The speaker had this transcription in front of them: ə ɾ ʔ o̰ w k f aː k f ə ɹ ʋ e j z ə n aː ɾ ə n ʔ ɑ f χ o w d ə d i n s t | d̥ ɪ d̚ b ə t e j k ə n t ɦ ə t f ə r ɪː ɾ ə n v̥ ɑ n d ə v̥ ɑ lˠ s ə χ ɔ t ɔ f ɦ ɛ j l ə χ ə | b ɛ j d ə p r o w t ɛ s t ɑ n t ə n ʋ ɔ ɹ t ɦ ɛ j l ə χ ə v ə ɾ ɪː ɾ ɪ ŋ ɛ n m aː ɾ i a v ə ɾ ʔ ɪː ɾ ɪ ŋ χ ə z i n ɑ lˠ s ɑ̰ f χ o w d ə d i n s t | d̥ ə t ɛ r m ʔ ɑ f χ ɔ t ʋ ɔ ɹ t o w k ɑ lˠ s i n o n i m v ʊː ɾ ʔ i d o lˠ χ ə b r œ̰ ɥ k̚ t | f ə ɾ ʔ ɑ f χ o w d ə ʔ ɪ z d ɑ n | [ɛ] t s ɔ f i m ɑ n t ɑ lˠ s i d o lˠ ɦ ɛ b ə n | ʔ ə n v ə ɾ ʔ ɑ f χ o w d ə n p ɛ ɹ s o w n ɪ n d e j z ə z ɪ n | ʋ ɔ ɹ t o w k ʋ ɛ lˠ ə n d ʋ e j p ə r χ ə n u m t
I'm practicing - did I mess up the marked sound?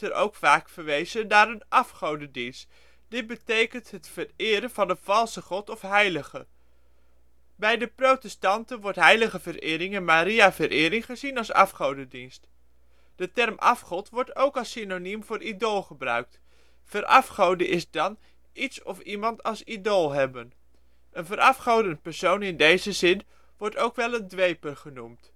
yes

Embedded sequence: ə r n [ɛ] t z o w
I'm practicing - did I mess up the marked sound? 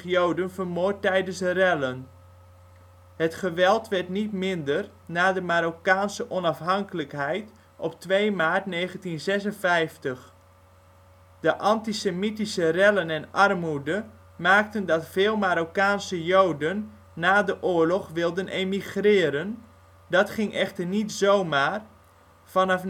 yes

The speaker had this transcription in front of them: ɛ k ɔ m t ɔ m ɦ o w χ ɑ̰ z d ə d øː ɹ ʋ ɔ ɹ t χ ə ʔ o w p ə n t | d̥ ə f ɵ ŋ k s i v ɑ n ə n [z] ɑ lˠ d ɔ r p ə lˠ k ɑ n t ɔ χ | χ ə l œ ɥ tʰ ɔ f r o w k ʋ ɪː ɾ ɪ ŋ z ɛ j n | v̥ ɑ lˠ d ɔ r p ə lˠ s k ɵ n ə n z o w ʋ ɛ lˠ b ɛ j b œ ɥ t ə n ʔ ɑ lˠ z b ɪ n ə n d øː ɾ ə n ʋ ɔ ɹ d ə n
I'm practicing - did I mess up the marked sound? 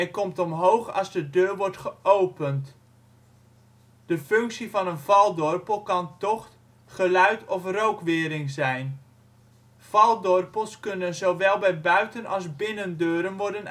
yes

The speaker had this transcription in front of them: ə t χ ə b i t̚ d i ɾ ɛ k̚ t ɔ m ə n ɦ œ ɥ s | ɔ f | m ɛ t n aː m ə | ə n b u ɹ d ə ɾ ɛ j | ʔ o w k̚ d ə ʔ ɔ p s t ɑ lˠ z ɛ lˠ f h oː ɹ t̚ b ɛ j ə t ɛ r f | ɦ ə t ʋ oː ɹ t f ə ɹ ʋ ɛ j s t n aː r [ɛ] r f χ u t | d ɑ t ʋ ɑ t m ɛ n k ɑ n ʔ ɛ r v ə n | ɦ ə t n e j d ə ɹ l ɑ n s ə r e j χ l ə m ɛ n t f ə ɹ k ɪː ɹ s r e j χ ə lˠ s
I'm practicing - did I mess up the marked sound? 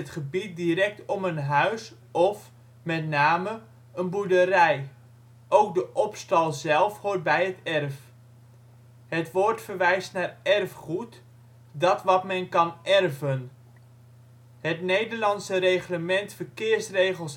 no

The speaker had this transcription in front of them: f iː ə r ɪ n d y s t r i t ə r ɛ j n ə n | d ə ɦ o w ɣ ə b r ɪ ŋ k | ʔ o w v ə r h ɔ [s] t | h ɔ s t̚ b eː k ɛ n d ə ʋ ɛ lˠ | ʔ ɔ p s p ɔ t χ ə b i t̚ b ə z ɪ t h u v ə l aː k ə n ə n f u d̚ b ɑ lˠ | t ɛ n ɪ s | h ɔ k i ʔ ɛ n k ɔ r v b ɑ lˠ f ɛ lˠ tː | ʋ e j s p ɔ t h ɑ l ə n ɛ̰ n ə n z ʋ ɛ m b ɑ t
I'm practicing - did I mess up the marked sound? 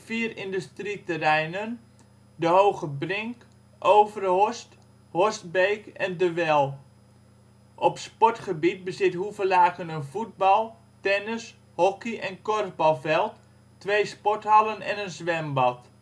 no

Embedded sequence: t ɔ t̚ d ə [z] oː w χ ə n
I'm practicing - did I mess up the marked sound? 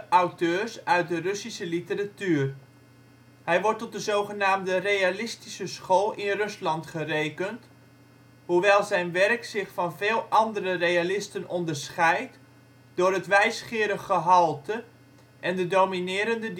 no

